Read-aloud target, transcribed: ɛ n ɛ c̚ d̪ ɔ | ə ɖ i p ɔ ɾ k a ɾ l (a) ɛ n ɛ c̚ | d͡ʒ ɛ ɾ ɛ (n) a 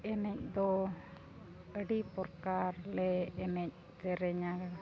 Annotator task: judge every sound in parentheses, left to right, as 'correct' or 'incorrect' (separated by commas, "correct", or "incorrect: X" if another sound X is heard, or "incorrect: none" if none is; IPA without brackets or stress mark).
incorrect: ɛ, incorrect: ɲ